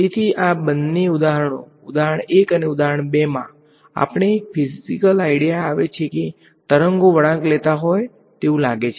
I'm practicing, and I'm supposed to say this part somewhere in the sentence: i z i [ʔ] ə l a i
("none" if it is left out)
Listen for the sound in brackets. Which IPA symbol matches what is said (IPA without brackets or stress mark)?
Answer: k